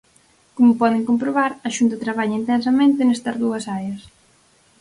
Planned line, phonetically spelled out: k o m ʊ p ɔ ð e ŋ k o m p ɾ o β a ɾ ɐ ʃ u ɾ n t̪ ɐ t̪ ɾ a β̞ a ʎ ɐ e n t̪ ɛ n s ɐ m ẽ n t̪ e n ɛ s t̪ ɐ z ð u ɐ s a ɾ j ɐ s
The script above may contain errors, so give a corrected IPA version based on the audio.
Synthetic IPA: k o m ʊ p ɔ ð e ŋ k o m p ɾ o β a ɾ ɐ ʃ u n t̪ ɐ t̪ ɾ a β̞ a ʎ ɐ i n t̪ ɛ n s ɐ m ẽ n t̪ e n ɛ s t̪ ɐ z ð u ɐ s a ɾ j ɐ s